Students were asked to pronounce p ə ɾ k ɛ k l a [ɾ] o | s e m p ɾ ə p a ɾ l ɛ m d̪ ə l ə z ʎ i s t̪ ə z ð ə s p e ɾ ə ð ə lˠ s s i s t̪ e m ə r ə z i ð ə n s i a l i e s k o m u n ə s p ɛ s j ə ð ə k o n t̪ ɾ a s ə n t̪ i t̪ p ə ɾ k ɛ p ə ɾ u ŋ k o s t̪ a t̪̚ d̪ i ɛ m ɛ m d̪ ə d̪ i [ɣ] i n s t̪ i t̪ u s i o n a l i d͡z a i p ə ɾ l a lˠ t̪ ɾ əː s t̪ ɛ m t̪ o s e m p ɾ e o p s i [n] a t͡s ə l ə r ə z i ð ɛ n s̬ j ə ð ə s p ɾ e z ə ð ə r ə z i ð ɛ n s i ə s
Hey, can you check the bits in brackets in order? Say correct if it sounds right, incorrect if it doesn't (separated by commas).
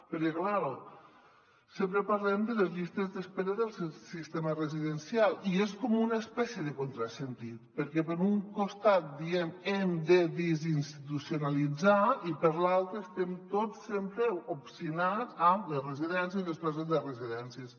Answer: correct, incorrect, correct